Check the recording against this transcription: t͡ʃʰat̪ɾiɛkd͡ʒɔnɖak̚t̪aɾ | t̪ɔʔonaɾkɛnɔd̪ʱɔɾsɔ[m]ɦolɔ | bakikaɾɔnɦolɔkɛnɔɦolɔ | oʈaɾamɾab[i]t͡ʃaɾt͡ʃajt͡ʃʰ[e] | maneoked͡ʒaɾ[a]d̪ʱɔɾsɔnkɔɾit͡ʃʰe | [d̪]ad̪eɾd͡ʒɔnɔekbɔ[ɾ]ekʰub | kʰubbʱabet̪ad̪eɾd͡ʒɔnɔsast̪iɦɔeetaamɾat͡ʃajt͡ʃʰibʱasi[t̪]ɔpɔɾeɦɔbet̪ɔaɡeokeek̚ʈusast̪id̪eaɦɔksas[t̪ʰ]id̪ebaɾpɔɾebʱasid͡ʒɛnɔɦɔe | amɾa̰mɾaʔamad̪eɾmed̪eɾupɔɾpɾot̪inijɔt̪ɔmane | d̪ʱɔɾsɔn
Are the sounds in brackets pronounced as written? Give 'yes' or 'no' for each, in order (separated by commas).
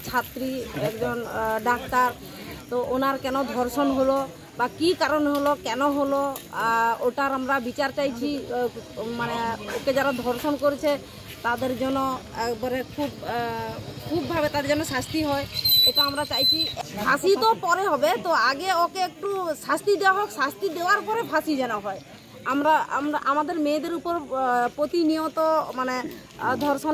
no, yes, no, yes, no, yes, yes, no